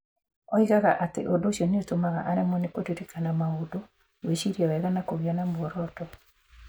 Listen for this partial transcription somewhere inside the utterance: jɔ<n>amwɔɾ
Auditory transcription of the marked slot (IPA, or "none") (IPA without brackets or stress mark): n